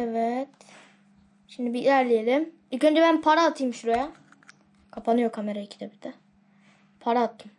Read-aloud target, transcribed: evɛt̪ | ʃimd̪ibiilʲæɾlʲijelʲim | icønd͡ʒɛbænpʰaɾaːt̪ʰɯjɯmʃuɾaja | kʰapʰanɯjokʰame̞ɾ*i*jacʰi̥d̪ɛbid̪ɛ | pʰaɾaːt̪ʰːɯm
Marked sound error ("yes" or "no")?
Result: yes